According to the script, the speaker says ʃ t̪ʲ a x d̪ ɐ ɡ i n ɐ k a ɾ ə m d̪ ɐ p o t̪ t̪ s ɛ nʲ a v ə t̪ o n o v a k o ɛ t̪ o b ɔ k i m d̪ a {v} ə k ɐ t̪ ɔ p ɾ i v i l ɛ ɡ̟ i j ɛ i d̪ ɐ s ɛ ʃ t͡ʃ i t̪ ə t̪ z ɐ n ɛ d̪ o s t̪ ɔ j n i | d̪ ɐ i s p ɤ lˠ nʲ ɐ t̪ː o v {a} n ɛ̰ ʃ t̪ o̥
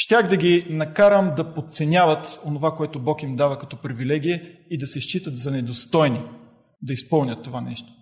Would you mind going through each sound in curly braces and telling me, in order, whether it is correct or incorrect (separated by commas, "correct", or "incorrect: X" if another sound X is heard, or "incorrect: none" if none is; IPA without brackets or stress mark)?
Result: correct, correct